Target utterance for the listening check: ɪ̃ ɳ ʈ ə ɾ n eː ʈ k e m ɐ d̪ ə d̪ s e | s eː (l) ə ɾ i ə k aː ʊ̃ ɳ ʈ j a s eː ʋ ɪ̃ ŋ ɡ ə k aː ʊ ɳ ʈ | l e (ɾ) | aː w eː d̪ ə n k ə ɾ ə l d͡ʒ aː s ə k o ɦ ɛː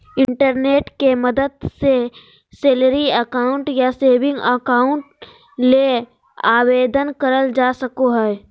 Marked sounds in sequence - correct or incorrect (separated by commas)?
correct, incorrect